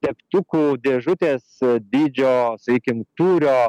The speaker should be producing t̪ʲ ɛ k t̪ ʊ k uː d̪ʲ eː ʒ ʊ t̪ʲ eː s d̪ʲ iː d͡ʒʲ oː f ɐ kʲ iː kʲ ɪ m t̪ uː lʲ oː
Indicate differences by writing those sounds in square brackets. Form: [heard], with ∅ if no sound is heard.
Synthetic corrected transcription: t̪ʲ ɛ k t̪ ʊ k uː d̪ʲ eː ʒ ʊ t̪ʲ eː s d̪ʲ iː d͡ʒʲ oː [s] ɐ kʲ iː kʲ ɪ m t̪ uː [ɾʲ] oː